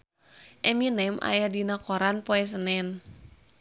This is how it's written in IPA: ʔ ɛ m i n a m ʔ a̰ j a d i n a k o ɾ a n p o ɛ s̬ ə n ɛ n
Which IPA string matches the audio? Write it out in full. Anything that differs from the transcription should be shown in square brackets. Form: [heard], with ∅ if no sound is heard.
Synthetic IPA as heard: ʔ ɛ m i n [ɛ] m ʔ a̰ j a d i n a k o ɾ a n p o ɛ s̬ ə n ɛ n